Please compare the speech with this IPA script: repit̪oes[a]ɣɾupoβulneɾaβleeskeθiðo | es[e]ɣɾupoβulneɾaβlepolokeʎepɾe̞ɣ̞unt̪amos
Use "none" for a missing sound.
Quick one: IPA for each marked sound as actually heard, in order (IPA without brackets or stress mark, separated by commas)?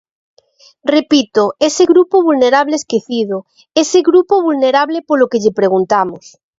e, e